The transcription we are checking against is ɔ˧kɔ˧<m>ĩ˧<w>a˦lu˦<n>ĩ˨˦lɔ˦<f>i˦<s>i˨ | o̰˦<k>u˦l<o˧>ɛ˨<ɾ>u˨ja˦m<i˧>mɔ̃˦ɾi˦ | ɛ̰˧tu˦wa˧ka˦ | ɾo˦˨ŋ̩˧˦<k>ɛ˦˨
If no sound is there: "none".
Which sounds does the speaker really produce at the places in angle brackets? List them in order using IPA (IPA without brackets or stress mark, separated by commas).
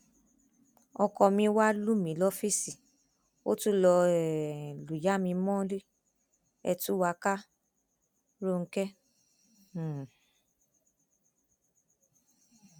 m, w, m, f, s, t, ɔ˧, l, ĩ˧, k